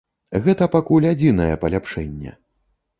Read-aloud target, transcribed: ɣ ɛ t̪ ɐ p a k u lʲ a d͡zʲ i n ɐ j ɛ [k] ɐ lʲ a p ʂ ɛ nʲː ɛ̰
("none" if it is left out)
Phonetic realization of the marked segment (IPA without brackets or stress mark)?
p